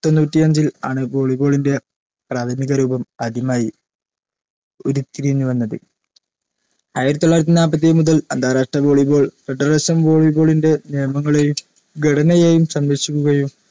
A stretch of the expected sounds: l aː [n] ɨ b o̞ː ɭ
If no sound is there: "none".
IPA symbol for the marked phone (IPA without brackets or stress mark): ɳ